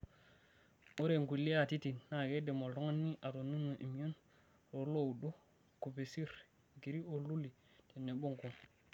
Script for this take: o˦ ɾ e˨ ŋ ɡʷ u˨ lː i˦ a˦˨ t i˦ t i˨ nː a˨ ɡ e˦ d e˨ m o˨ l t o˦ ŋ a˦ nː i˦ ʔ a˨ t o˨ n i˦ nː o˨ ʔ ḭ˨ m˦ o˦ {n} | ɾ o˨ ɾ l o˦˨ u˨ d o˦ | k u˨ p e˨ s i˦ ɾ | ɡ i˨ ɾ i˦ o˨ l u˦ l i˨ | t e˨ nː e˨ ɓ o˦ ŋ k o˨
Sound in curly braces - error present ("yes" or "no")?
no